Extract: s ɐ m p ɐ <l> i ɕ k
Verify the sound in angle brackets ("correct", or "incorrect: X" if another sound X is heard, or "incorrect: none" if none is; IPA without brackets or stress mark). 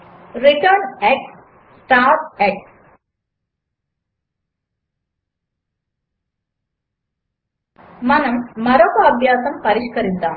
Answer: incorrect: ɾ